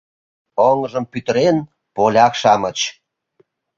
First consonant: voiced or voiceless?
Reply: voiced